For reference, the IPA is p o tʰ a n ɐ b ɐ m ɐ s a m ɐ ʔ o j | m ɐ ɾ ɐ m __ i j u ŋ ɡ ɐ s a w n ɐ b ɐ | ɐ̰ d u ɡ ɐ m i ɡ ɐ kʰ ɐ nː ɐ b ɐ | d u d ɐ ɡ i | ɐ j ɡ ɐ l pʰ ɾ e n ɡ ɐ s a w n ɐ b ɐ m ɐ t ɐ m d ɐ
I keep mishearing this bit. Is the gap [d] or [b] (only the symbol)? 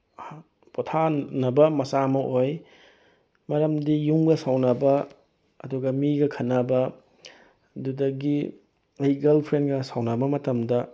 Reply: d